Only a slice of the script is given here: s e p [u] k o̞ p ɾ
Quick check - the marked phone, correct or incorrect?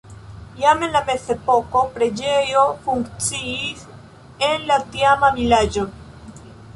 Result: incorrect